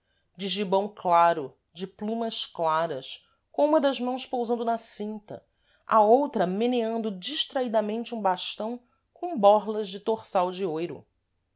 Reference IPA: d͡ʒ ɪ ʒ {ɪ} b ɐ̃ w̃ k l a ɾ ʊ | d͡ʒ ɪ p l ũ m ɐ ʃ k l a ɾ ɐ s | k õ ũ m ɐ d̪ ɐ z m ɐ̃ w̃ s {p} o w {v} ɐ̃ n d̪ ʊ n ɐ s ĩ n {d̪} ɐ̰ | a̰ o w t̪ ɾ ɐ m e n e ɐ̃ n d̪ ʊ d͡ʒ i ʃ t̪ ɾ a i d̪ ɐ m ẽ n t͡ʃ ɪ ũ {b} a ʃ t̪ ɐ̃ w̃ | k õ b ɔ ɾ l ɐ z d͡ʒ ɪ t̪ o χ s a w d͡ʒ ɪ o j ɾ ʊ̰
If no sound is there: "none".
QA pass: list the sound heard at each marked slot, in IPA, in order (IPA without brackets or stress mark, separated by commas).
i, p, z, t̪, b